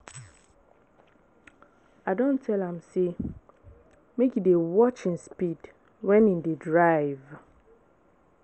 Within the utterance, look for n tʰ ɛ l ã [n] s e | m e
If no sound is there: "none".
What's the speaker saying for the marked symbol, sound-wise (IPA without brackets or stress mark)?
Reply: m